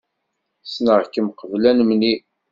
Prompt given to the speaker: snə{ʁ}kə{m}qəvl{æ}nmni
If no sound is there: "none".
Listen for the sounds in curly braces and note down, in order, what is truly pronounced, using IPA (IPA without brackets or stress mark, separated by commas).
ʁ, m, æ